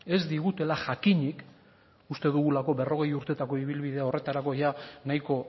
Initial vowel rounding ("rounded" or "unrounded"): unrounded